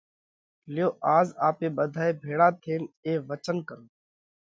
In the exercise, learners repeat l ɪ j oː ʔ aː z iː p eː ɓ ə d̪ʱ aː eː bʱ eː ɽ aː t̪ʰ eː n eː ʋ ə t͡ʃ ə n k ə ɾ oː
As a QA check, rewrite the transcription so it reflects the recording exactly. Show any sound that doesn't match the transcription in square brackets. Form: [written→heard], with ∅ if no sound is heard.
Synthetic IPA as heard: l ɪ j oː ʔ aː z [iː→aː] p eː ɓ ə d̪ʱ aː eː bʱ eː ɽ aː t̪ʰ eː n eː ʋ ə t͡ʃ ə n k ə ɾ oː